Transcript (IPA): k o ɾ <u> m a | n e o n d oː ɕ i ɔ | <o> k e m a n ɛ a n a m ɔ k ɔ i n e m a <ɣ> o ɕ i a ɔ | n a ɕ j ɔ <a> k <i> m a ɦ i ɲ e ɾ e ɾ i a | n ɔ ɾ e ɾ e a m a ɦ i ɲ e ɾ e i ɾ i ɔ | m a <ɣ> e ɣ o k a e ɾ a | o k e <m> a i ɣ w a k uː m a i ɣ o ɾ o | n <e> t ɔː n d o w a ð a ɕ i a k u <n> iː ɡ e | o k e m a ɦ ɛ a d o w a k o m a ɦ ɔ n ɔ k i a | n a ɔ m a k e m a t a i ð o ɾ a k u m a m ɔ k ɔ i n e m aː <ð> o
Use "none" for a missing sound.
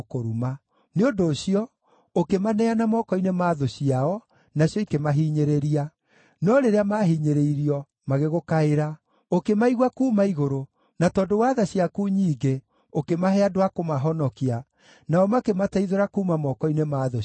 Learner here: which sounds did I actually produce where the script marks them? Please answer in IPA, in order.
u, o, ð, i, e, ɣ, m, a, ɲ, ð

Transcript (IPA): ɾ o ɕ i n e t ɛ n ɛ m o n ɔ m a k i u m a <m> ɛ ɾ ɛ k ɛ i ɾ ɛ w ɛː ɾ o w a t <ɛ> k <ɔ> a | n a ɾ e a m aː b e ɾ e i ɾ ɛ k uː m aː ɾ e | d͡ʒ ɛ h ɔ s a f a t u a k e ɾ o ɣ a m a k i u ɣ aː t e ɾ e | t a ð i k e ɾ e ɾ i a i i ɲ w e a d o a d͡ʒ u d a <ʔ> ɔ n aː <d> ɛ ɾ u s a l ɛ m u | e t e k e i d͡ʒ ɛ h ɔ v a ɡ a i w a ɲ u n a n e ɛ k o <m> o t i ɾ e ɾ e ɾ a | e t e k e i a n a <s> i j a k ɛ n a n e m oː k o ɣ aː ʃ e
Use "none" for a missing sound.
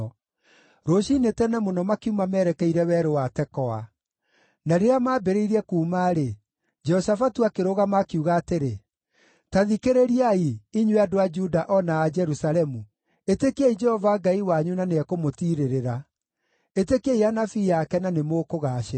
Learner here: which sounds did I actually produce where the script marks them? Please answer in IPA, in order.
m, ɛ, ɔ, ʔ, d͡ʒ, m, f

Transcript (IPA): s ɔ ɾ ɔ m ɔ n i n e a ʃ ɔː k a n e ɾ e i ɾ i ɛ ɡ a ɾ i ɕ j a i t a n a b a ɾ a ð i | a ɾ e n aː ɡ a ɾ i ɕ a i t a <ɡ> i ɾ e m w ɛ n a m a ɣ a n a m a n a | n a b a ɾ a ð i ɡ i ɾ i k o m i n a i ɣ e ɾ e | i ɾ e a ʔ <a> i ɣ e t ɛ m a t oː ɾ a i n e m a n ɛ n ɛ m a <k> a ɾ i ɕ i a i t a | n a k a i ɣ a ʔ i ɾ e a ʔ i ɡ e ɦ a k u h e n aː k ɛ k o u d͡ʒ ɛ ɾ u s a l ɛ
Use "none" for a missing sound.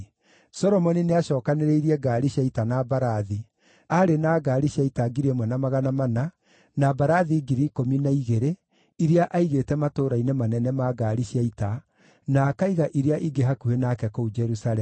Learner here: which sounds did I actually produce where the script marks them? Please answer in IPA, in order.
ɡ, a, ɡ

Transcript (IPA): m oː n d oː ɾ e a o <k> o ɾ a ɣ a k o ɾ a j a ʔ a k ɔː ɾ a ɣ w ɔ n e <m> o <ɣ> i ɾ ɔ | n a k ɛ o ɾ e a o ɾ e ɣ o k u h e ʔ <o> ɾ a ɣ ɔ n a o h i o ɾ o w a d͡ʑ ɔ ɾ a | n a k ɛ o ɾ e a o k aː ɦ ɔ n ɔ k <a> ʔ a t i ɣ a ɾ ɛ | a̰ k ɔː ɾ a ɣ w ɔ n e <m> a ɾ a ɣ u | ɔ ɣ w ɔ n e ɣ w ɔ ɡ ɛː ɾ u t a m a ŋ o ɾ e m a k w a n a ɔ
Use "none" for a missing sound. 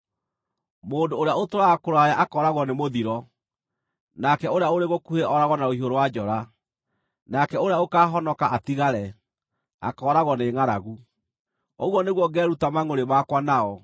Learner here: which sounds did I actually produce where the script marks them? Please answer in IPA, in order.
t, m, ð, ɔ, a, ŋ

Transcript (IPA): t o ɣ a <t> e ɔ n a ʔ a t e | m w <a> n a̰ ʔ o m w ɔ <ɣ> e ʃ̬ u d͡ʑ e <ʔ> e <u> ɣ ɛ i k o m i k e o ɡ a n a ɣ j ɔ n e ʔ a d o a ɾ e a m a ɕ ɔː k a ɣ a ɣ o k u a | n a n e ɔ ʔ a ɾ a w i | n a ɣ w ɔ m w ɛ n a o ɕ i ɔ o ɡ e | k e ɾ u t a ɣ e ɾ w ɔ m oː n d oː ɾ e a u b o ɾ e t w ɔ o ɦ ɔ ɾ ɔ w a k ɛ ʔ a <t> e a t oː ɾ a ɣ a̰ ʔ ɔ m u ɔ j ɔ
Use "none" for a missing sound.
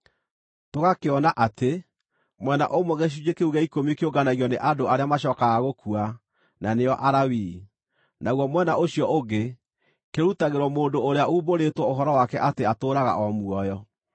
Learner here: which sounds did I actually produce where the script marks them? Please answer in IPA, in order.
k, ɛ, ɣ, k, u, t

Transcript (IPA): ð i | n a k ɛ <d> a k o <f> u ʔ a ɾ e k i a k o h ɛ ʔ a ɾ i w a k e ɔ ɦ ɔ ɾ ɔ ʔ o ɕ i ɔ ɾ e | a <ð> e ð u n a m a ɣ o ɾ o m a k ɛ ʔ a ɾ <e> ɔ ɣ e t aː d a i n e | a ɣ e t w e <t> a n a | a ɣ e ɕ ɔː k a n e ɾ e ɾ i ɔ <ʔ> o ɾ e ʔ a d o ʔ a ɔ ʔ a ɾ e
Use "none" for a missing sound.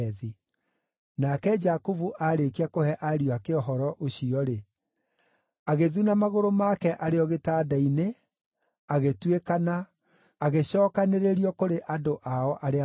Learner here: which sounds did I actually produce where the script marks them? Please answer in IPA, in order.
d͡ʒ, v, ɣ, e, k, k

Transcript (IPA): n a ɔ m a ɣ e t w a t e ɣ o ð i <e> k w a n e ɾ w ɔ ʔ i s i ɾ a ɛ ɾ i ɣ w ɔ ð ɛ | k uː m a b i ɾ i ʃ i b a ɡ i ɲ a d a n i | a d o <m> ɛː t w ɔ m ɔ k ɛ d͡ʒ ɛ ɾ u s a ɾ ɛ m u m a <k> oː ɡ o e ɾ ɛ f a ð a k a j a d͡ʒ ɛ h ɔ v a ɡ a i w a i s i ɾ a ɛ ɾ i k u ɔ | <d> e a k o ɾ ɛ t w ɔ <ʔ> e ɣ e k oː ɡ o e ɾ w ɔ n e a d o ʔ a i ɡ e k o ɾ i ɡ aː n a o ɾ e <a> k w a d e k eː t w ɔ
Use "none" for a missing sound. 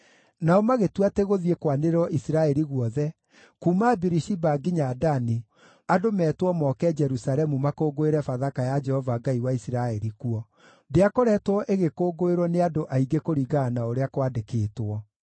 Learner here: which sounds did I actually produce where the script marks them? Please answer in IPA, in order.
e, m, k, d, ʔ, a

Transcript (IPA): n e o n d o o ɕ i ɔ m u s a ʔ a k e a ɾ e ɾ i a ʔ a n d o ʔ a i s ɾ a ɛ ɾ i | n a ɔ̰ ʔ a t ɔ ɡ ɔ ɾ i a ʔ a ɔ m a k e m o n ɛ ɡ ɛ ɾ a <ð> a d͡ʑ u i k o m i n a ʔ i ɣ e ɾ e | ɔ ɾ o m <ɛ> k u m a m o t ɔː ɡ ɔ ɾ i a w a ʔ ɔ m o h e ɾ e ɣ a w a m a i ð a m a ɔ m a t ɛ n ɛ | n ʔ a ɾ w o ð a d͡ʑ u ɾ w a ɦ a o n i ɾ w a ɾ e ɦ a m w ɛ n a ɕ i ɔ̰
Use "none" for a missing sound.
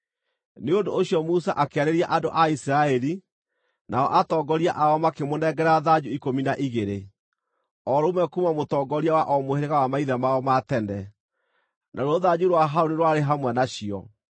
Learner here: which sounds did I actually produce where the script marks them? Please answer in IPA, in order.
ð, ɛ

